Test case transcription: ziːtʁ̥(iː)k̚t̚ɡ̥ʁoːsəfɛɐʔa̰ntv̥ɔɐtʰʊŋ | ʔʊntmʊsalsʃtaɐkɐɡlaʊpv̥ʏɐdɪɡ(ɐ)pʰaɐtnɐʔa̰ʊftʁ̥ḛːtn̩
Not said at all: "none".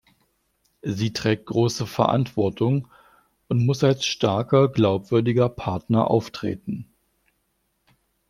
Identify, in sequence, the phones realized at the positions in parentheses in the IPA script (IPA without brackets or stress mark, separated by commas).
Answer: ɛː, ɐ